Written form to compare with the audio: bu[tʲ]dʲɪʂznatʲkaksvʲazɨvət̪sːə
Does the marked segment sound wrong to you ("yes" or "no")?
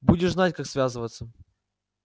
yes